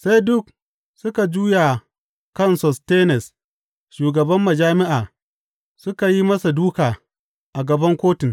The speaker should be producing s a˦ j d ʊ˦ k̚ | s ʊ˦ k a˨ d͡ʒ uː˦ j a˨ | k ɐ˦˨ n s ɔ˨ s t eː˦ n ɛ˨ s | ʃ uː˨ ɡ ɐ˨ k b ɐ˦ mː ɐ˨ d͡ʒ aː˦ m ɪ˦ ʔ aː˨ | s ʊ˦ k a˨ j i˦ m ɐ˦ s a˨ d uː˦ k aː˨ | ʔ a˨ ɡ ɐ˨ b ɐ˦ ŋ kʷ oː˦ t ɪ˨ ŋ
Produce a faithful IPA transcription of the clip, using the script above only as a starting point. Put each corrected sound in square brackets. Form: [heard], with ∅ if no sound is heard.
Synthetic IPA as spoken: s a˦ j d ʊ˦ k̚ | s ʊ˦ k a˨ d͡ʒ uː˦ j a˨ | k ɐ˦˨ n s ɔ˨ s t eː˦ n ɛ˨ s | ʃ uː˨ ɡ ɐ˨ [∅] b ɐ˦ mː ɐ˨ d͡ʒ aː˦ m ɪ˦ ʔ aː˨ | s ʊ˦ k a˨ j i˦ m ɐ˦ s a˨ d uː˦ k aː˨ | ʔ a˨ ɡ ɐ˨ b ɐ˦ ŋ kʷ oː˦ t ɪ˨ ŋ